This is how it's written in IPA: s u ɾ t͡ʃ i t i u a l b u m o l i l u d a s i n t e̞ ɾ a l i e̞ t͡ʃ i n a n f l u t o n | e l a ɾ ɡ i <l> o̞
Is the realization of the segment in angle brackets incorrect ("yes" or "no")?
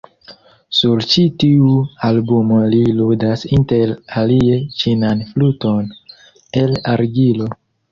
no